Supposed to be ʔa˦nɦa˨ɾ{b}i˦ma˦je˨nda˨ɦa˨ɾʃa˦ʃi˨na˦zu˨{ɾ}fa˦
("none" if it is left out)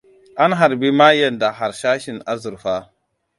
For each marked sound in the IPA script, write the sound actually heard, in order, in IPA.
b, ɾ

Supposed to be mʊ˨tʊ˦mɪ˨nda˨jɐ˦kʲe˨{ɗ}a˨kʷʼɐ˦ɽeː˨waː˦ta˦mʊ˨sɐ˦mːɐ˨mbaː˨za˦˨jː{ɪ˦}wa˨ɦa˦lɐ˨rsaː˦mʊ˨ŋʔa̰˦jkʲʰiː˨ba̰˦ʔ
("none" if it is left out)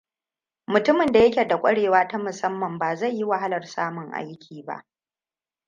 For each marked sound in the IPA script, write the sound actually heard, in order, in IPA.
d, i˦

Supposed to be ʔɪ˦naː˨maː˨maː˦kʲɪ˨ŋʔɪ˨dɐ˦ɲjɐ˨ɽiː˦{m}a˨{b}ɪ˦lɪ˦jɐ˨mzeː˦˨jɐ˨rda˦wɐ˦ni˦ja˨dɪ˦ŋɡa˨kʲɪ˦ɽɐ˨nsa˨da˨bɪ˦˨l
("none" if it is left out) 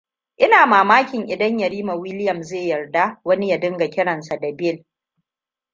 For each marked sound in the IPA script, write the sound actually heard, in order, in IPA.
m, w

